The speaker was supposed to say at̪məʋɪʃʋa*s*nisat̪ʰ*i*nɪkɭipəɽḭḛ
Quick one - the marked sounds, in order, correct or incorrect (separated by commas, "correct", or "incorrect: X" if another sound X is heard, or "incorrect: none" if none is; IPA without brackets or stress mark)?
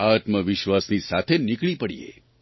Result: correct, incorrect: e